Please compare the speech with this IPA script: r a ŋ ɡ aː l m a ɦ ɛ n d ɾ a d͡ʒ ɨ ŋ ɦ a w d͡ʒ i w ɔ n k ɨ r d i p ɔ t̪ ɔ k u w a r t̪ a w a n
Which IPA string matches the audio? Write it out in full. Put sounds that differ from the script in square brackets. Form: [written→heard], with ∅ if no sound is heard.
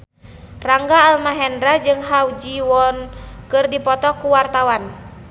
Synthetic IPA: r a ŋ ɡ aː l m a ɦ ɛ n d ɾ a d͡ʒ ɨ ŋ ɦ a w d͡ʒ i w ɔ n k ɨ r d i p ɔ t̪ ɔ k u w a r t̪ a w a n